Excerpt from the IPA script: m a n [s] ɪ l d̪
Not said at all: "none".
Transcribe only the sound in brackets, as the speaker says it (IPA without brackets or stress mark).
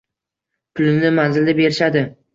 z